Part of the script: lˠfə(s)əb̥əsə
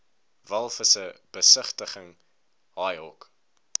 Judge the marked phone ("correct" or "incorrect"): correct